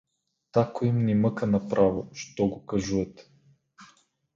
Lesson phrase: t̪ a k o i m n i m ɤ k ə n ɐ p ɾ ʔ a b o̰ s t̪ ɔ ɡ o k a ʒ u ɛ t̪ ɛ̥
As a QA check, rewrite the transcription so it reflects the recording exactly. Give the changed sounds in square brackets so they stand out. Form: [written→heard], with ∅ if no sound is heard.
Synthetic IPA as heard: t̪ a k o i m n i m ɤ k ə n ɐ p ɾ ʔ a [b→v] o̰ [s→ʃ] t̪ ɔ ɡ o k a ʒ u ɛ t̪ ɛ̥